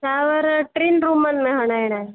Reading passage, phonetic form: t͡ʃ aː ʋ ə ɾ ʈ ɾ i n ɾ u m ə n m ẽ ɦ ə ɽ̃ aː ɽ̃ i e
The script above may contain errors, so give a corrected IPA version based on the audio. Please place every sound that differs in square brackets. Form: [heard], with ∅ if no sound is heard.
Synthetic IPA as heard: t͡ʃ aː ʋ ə ɾ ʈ ɾ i n ɾ u m ə n m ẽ ɦ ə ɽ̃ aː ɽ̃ [a] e